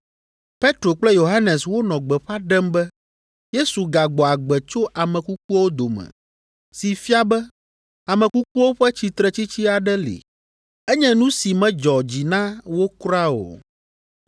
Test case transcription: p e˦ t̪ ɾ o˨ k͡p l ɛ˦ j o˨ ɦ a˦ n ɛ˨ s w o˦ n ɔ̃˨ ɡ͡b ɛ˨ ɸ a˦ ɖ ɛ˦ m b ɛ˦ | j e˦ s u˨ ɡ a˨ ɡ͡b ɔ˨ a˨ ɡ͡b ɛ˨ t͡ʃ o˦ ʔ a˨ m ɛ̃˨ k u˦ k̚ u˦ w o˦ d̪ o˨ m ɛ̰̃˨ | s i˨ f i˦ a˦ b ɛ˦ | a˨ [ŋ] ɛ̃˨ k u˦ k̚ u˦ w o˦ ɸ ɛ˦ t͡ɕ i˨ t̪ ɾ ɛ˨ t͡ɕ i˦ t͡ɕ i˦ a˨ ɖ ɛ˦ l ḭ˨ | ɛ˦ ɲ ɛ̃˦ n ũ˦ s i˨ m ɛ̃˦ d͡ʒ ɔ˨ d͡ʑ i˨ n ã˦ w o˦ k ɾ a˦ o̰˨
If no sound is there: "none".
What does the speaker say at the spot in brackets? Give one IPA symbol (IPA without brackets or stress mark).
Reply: m